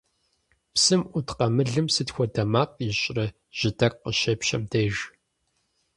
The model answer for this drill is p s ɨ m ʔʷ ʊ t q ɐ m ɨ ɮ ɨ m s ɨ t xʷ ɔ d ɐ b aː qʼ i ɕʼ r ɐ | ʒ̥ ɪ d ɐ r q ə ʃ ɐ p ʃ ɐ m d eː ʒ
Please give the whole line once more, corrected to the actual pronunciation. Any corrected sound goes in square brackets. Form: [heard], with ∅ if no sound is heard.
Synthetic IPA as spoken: p s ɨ m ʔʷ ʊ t q ɐ m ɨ ɮ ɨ m s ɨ t xʷ ɔ d ɐ [m] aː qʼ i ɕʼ r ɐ | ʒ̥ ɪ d ɐ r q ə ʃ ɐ p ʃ ɐ m d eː ʒ

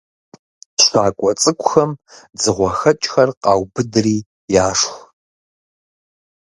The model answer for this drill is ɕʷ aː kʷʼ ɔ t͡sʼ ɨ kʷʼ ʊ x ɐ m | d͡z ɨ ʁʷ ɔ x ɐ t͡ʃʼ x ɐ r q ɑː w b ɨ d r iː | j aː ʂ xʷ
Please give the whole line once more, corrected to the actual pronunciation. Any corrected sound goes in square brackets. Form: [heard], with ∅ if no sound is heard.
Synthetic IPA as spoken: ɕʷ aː kʷʼ ɔ t͡sʼ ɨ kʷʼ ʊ x ɐ m | d͡z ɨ ʁʷ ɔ x ɐ t͡ʃʼ x ɐ r q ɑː w b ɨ d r iː | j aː ʂ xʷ

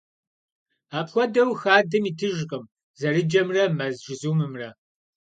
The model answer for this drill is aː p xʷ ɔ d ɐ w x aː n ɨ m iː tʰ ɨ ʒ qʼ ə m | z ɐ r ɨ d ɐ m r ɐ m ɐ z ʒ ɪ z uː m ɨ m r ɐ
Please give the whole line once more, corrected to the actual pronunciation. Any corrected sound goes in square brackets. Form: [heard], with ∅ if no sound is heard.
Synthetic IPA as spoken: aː p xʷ ɔ d ɐ w x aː [d] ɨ m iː tʰ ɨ ʒ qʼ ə m | z ɐ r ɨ [d͡ʒ] ɐ m r ɐ m ɐ z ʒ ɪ z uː m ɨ m r ɐ

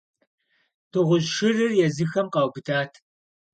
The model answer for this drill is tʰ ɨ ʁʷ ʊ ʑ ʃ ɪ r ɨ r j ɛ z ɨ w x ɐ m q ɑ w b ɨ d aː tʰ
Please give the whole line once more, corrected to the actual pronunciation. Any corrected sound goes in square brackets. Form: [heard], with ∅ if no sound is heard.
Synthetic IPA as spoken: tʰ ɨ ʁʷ ʊ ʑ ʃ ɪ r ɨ r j ɛ z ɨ [∅] x ɐ m q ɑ w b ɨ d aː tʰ

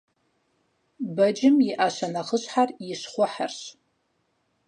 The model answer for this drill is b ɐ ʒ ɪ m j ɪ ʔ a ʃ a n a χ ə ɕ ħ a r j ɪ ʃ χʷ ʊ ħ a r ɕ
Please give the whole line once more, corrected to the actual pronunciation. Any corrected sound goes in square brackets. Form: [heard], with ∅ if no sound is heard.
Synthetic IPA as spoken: b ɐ [d͡ʒ] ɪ m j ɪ ʔ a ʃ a n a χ ə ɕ ħ a r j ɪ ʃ χʷ ʊ ħ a r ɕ

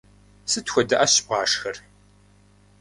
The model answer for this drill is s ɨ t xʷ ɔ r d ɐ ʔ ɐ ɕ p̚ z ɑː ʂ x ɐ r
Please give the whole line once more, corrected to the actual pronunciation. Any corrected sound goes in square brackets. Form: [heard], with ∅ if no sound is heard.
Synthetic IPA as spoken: s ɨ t xʷ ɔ [∅] d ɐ ʔ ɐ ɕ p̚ [ʁ] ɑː ʂ x ɐ r

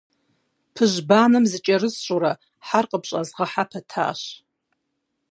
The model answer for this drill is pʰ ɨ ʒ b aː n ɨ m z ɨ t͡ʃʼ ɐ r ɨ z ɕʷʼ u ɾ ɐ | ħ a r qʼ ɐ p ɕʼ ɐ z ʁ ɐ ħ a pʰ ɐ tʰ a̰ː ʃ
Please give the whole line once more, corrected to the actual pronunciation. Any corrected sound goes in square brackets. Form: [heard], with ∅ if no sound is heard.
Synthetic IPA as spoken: pʰ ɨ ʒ b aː n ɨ m z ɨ t͡ʃʼ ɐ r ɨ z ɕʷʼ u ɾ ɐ | ħ a r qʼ [ə] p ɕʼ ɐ z ʁ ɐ ħ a pʰ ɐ tʰ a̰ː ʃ

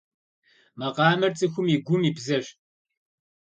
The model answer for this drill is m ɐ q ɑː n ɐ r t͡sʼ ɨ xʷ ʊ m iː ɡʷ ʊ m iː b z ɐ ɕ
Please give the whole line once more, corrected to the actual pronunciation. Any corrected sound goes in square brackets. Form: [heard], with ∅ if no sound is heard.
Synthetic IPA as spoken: m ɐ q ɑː [m] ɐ r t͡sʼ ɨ xʷ ʊ m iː ɡʷ ʊ m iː b z ɐ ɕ

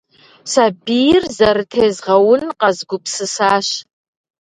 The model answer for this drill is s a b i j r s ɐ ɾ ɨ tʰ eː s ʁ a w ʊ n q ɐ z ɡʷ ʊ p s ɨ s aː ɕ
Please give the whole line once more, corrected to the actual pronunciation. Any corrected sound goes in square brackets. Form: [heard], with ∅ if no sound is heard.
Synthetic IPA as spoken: s a b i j r [z] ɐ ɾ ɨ tʰ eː [z] ʁ [ɐ] w ʊ n q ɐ z ɡʷ ʊ p s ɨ s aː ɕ

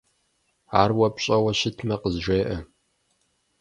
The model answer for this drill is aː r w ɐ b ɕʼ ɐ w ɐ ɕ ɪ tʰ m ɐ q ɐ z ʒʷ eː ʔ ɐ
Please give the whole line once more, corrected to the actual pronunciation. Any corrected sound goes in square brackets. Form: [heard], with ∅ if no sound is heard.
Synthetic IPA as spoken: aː r w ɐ [p] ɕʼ ɐ w ɐ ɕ ɪ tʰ m ɐ q [ə] z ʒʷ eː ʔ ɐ

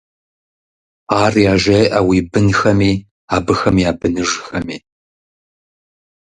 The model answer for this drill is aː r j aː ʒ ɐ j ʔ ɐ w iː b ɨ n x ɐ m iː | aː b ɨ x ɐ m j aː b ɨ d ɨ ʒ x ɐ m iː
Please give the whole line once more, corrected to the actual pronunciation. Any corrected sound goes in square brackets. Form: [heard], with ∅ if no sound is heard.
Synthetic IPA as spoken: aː r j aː ʒ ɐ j ʔ ɐ w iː b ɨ n x ɐ m iː | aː b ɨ x ɐ m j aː b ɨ [n] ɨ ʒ x ɐ m iː

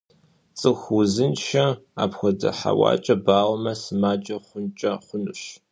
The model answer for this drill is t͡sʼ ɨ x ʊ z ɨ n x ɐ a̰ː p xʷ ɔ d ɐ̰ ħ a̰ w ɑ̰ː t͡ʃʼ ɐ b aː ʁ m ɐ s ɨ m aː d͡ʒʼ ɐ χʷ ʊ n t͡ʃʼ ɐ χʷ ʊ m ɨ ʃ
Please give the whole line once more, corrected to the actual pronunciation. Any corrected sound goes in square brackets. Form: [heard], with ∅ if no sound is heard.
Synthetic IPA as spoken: t͡sʼ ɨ x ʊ z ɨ n [ʃ] ɐ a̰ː p xʷ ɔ d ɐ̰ ħ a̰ w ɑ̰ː t͡ʃʼ ɐ b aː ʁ m ɐ s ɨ m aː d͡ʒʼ ɐ χʷ ʊ n t͡ʃʼ ɐ χʷ ʊ [n] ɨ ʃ

